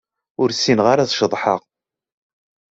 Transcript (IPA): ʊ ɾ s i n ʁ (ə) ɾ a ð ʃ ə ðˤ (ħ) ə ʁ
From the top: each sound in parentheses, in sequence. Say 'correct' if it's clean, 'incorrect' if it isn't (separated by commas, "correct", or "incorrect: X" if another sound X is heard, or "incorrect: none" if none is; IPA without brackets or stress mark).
incorrect: a, correct